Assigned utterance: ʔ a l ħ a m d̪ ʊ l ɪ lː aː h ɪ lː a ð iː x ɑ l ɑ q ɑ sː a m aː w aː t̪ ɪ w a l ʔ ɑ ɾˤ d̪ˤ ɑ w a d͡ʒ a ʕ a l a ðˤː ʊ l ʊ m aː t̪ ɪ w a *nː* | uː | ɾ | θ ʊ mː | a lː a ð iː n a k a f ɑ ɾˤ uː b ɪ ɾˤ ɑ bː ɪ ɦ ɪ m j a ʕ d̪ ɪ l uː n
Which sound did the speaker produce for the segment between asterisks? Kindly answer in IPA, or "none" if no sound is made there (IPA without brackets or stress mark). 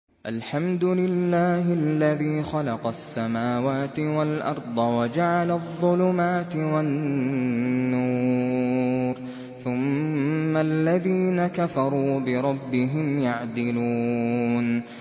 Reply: nː